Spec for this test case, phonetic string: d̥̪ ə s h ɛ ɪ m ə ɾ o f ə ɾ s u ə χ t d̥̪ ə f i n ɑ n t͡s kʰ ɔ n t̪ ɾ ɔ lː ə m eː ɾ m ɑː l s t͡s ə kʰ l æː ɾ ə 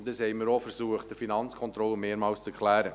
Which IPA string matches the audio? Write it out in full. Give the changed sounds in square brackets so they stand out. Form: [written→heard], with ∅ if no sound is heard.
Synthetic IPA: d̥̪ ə s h ɛ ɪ m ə ɾ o f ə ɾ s u ə χ t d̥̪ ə f i n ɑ n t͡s kʰ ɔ n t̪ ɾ ɔ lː ə m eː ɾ m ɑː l s t͡s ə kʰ l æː ɾ ə